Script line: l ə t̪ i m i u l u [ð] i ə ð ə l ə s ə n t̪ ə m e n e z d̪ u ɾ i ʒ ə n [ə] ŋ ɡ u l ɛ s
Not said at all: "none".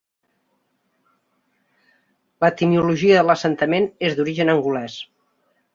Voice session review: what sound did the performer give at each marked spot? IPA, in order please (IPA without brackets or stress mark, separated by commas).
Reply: ʒ, ə